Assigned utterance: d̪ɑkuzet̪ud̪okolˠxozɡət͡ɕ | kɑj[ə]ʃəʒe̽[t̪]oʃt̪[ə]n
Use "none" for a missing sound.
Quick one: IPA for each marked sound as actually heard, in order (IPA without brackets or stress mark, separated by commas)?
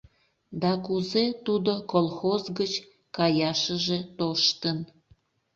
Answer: ɑ, t̪, ə